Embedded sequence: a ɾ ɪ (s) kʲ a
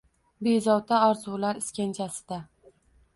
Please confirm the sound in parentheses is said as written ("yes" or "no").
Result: yes